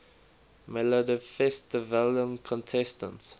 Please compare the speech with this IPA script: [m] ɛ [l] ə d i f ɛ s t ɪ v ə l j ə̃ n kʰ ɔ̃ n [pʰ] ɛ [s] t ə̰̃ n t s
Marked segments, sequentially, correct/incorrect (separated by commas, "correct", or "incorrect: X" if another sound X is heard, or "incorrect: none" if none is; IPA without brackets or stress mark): correct, correct, incorrect: tʰ, correct